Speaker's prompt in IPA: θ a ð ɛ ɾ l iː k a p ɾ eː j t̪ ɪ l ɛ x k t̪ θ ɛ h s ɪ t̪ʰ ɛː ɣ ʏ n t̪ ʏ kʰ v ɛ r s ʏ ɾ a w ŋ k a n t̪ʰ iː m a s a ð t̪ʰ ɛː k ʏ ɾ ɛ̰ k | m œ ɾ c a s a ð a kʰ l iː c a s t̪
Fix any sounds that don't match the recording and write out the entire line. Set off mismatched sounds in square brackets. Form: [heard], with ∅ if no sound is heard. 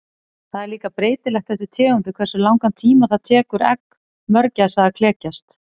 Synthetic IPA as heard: θ a ð ɛ ɾ l iː k a p ɾ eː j t̪ ɪ l ɛ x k t̪ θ ɛ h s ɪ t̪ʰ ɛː ɣ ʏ n t̪ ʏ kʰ v ɛ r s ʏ [l] a w ŋ k a n t̪ʰ iː m a [θ] a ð t̪ʰ ɛː k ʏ ɾ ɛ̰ k | m œ ɾ c a s a ð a kʰ l [ɛː] c a s t̪